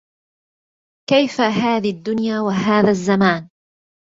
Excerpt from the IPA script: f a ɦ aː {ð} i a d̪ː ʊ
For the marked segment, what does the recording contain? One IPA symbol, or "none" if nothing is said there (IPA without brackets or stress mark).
ð